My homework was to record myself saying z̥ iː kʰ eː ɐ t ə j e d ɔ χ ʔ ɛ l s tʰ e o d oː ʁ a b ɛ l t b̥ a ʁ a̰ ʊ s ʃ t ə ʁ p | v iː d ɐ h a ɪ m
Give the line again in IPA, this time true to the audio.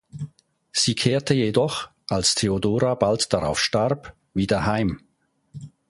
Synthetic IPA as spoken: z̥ iː kʰ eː ɐ t ə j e d ɔ χ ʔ a l s tʰ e o d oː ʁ a b a l t d̥ a ʁ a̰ ʊ f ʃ t a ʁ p | v iː d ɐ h a ɪ m

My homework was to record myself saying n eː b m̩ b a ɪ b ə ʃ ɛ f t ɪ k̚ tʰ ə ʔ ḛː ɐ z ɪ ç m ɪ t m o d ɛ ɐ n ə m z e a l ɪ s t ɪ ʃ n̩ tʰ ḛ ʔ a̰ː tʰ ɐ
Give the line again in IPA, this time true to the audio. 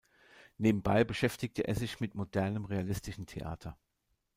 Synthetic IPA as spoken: n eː b m̩ b a ɪ b ə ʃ ɛ f t ɪ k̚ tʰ ə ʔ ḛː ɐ z ɪ ç m ɪ t m o d ɛ ɐ n ə m ʁ e a l ɪ s t ɪ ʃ n̩ tʰ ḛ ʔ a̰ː tʰ ɐ

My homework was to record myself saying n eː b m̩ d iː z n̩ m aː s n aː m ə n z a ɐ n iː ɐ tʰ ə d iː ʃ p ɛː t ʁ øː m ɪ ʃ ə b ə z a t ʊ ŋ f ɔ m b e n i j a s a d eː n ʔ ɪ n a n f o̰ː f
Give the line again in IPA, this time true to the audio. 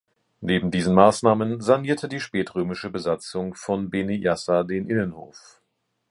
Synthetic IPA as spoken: n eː b m̩ d iː z n̩ m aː s n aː m ə n z a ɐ n iː ɐ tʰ ə d iː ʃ p ɛː t ʁ øː m ɪ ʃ ə b ə z a t͡s ʊ ŋ f ɔ n b e n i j a s a d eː n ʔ ɪ n ə n h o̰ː f

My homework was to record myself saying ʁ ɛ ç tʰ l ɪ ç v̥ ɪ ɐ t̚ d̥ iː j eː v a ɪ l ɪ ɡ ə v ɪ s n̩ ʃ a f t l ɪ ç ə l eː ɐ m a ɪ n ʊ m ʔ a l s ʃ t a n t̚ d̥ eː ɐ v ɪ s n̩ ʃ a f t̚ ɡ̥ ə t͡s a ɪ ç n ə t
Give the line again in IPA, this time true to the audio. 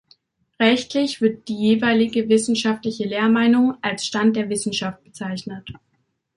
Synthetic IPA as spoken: ʁ ɛ ç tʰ l ɪ ç v̥ ɪ ɐ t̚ d̥ iː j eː v a ɪ l ɪ ɡ ə v ɪ s n̩ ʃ a f t l ɪ ç ə l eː ɐ m a ɪ n ʊ ŋ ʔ a l s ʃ t a n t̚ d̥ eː ɐ v ɪ s n̩ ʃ a f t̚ b̥ ə t͡s a ɪ ç n ə t

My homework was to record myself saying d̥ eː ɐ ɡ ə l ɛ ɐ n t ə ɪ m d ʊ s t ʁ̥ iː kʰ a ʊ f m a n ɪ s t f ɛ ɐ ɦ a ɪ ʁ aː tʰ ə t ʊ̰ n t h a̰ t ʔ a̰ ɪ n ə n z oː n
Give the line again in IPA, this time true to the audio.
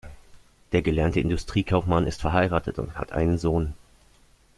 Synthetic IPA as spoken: d̥ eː ɐ ɡ ə l ɛ ɐ n t ə ɪ n d ʊ s t ʁ̥ iː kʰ a ʊ f m a n ɪ s t f ɛ ɐ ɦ a ɪ ʁ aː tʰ ə t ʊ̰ n t h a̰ t ʔ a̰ ɪ n ə n z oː n

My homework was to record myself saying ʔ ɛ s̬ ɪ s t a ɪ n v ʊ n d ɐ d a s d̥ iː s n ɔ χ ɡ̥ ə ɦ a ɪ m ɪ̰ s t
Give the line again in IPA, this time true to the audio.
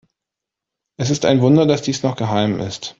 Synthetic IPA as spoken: ʔ ɛ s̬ ɪ s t a ɪ n v ʊ n d ɐ d a s d̥ iː s n ɔ χ ɡ̥ ə ɦ a ɪ m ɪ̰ s t

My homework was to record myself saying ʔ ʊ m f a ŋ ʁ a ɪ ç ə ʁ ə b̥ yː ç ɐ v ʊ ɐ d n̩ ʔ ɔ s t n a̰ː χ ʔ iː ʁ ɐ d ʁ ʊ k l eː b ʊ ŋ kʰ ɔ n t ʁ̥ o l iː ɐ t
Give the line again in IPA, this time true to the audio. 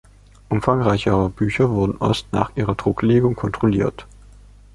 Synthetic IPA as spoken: ʔ ʊ m f a ŋ ʁ a ɪ ç ə ʁ ə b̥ yː ç ɐ v ʊ ɐ d n̩ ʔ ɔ s t n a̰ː χ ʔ iː ʁ ɐ d ʁ ʊ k l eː ɡ ʊ ŋ kʰ ɔ n t ʁ̥ o l iː ɐ t

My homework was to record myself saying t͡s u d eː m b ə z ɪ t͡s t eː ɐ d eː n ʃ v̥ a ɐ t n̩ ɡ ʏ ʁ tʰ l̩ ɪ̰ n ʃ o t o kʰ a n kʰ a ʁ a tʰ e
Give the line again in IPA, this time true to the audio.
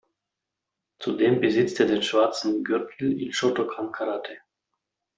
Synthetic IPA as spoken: t͡s u d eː m b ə z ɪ t͡s t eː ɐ d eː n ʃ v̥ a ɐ t͡s n̩ ɡ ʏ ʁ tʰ l̩ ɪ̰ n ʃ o t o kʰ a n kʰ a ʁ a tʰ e

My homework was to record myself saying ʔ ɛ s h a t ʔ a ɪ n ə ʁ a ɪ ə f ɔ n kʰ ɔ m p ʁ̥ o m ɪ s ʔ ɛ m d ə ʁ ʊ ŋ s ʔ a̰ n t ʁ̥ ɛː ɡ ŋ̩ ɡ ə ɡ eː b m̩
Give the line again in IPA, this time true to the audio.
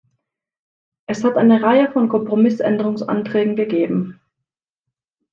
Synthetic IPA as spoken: ʔ ɛ s h a t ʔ a ɪ n ə ʁ a ɪ ə f ɔ n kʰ ɔ m p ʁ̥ o m ɪ s ʔ ɛ n d ə ʁ ʊ ŋ s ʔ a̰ n t ʁ̥ ɛː ɡ ŋ̩ ɡ ə ɡ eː b m̩

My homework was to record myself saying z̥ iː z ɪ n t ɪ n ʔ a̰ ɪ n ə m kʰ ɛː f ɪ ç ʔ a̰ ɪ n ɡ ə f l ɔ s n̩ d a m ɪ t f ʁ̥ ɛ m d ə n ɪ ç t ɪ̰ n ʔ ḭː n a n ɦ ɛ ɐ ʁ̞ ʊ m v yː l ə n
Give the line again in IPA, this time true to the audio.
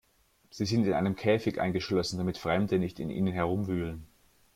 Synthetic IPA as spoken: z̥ iː z ɪ n t ɪ n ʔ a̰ ɪ n ə m kʰ ɛː f ɪ ç ʔ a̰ ɪ n ɡ ə ʃ l ɔ s n̩ d a m ɪ t f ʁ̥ ɛ m d ə n ɪ ç t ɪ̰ n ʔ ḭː n ə n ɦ ɛ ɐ ʁ̞ ʊ m v yː l ə n

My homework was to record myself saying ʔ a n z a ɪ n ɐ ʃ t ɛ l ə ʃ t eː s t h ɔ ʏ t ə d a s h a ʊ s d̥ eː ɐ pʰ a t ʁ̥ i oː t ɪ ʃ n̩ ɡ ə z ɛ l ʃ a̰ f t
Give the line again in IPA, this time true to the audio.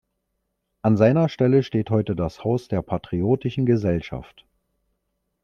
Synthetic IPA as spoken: ʔ a n z a ɪ n ɐ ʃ t ɛ l ə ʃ t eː t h ɔ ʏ t ə d a s h a ʊ s d̥ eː ɐ pʰ a t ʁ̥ i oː t ɪ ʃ n̩ ɡ ə z ɛ l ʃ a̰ f t

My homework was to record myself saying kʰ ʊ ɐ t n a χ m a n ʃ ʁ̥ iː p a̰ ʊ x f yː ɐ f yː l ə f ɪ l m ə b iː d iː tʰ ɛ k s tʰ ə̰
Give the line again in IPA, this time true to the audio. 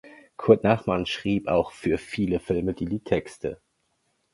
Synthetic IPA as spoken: kʰ ʊ ɐ t n a χ m a n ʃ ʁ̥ iː p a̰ ʊ x f yː ɐ f iː l ə f ɪ l m ə d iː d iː tʰ ɛ k s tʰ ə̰

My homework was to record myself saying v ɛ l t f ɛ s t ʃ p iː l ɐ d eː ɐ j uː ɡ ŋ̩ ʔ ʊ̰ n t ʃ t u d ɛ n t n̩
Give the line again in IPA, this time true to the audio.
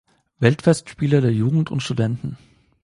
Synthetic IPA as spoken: v ɛ l t f ɛ s t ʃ p iː l ɐ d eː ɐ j uː ɡ ŋ̩ t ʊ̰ n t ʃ t u d ɛ n t n̩

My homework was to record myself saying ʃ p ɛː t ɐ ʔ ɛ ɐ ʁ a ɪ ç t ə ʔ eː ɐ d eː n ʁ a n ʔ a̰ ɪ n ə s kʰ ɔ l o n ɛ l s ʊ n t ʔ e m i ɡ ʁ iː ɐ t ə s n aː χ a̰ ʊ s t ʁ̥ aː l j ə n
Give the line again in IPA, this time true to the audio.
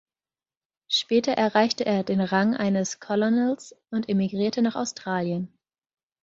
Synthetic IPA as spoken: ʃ p ɛː t ɐ ʔ ɛ ɐ ʁ a ɪ ç t ə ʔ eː ɐ d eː n ʁ a ŋ ʔ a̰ ɪ n ə s kʰ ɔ l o n ɛ l s ʊ n t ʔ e m i ɡ ʁ iː ɐ t ə n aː χ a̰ ʊ s t ʁ̥ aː l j ə n

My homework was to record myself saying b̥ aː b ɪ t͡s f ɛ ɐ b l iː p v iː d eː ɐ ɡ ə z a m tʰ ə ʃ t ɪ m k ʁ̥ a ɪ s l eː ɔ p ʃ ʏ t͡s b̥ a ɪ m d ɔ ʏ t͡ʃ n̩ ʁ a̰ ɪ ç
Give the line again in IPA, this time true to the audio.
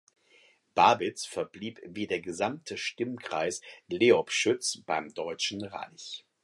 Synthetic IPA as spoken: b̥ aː b ɪ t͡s f ɛ ɐ b l iː p v iː d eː ɐ ɡ ə z a m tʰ ə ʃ t ɪ m k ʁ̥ a ɪ s l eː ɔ p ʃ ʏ t͡s b̥ a ɪ m d ɔ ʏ t͡ʃ n̩ ʁ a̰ ɪ ç

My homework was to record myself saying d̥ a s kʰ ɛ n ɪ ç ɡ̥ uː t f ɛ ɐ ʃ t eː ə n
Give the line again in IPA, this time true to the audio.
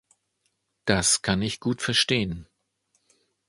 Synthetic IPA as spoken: d̥ a s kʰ a n ɪ ç ɡ̥ uː t f ɛ ɐ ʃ t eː ə n

